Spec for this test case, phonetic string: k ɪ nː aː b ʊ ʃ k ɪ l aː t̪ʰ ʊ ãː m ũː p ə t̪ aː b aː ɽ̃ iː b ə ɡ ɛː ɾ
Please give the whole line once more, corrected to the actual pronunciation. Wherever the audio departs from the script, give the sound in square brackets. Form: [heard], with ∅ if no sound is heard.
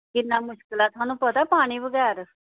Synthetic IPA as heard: k ɪ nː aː [m] ʊ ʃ k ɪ l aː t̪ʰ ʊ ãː [n] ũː p ə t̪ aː [p] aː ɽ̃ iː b ə ɡ ɛː ɾ

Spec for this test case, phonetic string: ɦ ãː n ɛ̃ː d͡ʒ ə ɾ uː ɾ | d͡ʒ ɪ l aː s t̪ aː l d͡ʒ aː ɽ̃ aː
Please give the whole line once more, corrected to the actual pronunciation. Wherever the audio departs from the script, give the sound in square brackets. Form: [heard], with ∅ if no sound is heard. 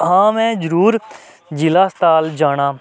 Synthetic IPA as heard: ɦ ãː [m] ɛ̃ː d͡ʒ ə ɾ uː ɾ | d͡ʒ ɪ l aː s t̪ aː l d͡ʒ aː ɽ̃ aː

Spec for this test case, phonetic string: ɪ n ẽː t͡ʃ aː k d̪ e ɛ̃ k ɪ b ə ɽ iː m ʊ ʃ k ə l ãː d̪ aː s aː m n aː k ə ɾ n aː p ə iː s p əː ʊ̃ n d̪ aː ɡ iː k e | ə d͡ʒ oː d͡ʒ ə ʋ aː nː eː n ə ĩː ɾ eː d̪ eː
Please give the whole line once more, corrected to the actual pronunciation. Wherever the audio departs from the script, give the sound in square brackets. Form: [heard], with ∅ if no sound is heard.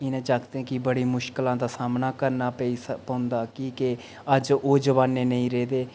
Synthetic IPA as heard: ɪ n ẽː t͡ʃ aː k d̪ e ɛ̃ k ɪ b ə ɽ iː m ʊ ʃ k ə l ãː d̪ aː s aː m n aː k ə ɾ n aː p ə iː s p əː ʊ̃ n d̪ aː [k] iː k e | ə d͡ʒ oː d͡ʒ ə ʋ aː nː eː n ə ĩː ɾ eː d̪ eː

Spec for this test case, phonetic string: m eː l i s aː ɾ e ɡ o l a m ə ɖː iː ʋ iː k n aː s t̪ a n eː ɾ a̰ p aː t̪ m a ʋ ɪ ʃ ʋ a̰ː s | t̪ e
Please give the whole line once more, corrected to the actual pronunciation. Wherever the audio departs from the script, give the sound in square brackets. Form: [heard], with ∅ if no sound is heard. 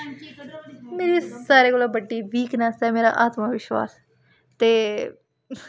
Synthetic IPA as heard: m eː [ɾ] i s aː ɾ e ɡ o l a [b] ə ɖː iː ʋ iː k n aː s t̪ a [m] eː ɾ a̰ [ʔ] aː t̪ m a ʋ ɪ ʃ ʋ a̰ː s | t̪ e

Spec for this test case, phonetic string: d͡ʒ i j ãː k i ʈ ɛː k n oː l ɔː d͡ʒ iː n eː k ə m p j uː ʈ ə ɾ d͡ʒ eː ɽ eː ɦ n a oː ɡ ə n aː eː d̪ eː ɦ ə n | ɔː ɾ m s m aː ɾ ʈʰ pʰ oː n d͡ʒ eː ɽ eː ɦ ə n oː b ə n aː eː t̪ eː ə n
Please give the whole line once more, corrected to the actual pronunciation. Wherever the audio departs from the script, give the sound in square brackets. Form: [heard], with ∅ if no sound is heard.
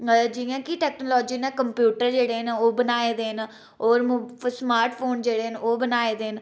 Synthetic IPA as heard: d͡ʒ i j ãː k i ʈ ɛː k n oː l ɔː d͡ʒ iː n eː k ə m p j uː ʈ ə ɾ d͡ʒ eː ɽ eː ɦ n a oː [b] ə n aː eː d̪ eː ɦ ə n | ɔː ɾ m s m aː ɾ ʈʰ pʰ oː n d͡ʒ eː ɽ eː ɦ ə n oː b ə n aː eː [d̪] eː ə n

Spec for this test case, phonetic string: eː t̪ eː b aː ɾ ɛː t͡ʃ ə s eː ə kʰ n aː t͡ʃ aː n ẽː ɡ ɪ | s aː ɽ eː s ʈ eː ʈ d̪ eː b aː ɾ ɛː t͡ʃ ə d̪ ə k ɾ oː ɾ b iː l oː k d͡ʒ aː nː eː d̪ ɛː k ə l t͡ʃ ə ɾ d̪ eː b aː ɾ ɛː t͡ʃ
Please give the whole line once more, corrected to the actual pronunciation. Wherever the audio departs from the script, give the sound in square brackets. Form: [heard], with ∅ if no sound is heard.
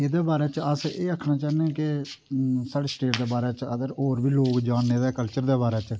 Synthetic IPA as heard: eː [d̪] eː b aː ɾ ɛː t͡ʃ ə s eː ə kʰ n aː t͡ʃ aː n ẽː [k] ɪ | s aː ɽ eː s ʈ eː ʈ d̪ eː b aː ɾ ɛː t͡ʃ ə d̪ ə [∅] ɾ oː ɾ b iː l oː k d͡ʒ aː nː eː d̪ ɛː k ə l t͡ʃ ə ɾ d̪ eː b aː ɾ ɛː t͡ʃ

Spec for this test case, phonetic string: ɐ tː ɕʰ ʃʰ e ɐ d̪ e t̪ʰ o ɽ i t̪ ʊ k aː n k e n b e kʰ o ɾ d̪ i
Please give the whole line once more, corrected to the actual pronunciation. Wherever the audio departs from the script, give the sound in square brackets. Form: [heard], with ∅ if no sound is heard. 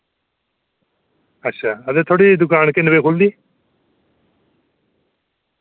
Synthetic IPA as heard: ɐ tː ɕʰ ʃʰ [a] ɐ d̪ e t̪ʰ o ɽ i [d̪] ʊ k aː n k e n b e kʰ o [l] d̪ i

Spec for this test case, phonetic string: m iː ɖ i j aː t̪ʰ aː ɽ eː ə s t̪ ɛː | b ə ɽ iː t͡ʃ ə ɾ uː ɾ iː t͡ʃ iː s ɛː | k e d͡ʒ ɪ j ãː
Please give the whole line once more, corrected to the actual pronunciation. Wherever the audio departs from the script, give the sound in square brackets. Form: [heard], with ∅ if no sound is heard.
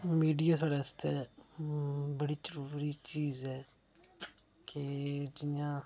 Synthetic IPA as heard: m iː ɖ i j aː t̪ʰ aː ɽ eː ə s t̪ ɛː | b ə ɽ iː t͡ʃ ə ɾ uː ɾ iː t͡ʃ iː [z] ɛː | k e d͡ʒ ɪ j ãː

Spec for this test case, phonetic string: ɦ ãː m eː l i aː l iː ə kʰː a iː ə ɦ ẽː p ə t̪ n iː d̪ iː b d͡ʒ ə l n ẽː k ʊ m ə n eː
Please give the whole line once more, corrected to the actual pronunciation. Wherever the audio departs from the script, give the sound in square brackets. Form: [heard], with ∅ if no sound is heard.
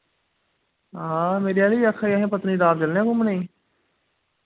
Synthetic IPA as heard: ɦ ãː m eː [ɾ] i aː l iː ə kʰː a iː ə ɦ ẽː p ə t̪ n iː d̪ [aː] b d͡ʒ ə l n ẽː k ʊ m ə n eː

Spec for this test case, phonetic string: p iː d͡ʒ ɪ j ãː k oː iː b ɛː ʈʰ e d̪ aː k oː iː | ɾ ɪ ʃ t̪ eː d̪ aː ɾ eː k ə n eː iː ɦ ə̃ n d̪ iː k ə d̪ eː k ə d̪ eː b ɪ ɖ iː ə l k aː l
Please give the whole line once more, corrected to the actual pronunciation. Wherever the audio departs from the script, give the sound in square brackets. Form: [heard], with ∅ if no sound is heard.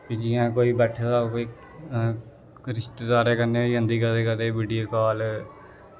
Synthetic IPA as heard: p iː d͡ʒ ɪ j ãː k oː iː b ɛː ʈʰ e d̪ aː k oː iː | ɾ ɪ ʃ t̪ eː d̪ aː ɾ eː k ə n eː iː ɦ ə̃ n d̪ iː k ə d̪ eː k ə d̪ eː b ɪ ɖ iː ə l k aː l

